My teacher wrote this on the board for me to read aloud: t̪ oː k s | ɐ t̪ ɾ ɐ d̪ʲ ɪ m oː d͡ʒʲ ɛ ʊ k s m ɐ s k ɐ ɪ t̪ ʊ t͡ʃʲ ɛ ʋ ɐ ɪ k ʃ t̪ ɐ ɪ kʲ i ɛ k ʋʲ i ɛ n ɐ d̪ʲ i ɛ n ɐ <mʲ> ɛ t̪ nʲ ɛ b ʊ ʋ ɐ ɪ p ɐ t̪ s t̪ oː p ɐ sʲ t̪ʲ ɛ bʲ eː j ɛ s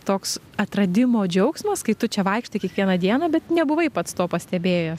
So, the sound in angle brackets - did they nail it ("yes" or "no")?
no